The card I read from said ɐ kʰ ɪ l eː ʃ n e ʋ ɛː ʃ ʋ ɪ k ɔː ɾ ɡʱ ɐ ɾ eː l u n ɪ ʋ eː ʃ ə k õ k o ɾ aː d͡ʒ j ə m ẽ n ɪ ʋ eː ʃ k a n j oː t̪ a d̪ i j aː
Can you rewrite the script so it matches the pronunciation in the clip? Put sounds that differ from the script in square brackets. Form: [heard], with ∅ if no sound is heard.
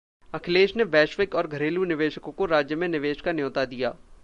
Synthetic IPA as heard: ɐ kʰ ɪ l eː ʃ n e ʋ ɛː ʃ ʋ ɪ k ɔː ɾ ɡʱ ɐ ɾ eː l u n ɪ ʋ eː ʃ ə k õ k o ɾ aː d͡ʒ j ə m ẽ n ɪ ʋ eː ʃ k a n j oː t̪ a d̪ i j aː